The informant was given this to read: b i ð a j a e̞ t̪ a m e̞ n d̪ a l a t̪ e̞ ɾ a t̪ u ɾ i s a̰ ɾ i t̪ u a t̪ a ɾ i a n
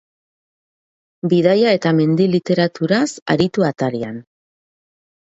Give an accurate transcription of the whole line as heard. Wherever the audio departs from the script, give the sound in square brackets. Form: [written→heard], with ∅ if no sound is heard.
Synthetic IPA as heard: b i ð a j a e̞ t̪ a m e̞ n d̪ [a→i] l [a→i] t̪ e̞ ɾ a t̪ u ɾ [i→a] s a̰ ɾ i t̪ u a t̪ a ɾ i a n